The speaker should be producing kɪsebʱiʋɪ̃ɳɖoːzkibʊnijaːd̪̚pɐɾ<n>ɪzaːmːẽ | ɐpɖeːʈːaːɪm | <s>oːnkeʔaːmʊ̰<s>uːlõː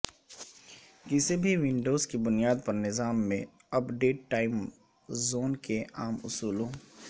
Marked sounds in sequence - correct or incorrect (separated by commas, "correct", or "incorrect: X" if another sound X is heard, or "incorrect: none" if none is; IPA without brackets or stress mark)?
correct, incorrect: z, correct